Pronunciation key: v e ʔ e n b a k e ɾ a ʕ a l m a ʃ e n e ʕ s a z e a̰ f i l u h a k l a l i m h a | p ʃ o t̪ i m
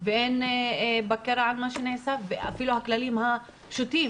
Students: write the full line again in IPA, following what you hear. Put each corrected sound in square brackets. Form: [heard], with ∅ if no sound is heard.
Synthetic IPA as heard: v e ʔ e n b a k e ɾ a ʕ a l m a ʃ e n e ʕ s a [v] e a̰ f i l u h a k l a l i m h a | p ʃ [u] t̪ i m